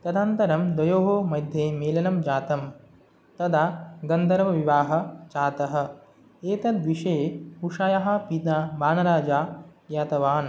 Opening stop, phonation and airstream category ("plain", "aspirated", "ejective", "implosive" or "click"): plain